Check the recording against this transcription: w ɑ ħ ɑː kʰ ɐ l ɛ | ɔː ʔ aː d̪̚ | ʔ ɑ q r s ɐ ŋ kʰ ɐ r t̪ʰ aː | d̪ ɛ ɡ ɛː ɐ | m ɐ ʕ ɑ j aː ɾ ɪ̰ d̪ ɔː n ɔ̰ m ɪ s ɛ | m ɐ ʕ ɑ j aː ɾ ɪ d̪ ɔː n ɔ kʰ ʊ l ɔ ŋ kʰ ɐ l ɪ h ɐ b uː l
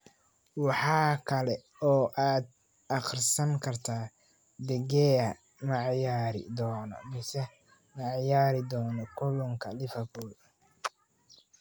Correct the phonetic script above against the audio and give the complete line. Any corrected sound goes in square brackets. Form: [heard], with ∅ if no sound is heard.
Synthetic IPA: w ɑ ħ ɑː kʰ ɐ l ɛ | ɔː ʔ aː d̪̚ | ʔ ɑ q r s ɐ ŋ kʰ ɐ r t̪ʰ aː | d̪ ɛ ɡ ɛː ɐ | m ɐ ʕ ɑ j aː ɾ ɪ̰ d̪ ɔː n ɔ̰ m ɪ s ɛ | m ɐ ʕ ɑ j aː ɾ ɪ d̪ ɔː n ɔ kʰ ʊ l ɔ ŋ kʰ ɐ l ɪ [f] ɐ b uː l